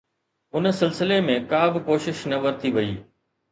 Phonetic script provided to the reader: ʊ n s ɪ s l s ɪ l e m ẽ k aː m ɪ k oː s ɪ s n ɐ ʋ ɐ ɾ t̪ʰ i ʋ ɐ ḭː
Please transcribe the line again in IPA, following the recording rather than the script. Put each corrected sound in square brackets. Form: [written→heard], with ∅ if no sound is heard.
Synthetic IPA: ʊ n s ɪ [s→∅] l s ɪ l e m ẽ k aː [m→b] ɪ k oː [s→ʃ] ɪ [s→ʃ] n ɐ ʋ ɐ ɾ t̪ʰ i ʋ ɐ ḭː